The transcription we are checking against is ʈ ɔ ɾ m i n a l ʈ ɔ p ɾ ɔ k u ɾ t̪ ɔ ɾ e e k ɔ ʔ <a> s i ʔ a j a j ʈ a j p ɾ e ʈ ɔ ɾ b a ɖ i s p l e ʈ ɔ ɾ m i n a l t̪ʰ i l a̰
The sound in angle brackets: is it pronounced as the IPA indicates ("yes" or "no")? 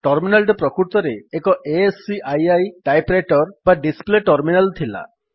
no